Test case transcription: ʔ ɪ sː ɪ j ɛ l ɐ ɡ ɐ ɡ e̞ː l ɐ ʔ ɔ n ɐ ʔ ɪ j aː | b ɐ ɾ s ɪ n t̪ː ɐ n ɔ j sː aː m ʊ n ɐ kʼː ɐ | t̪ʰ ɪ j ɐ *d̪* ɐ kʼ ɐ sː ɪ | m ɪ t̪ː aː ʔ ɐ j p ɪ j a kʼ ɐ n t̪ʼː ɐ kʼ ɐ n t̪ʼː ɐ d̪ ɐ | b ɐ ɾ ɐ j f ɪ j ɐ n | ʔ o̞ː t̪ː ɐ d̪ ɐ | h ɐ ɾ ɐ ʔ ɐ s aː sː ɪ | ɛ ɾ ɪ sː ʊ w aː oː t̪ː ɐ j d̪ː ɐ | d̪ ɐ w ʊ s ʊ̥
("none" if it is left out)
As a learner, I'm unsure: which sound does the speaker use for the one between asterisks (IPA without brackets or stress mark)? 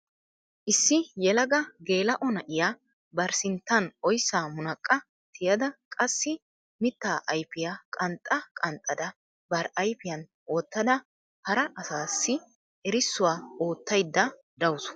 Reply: d̪